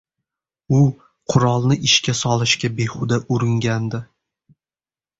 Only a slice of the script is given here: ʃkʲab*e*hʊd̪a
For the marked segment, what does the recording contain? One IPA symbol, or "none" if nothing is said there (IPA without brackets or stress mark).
e